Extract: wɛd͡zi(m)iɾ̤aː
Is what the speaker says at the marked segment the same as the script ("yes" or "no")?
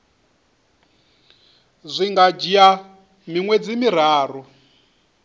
yes